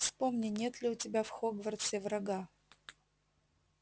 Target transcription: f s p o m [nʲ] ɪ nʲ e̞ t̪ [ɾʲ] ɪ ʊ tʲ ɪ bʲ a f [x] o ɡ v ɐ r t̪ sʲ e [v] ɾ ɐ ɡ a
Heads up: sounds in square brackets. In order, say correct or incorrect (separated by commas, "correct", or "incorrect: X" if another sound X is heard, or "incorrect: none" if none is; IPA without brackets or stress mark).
correct, incorrect: lʲ, correct, correct